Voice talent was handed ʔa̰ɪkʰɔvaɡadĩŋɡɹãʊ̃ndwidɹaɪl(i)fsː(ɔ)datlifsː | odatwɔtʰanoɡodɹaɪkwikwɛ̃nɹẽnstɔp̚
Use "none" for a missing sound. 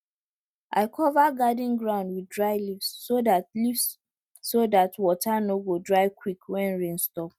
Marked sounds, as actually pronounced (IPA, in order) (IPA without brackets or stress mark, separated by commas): i, o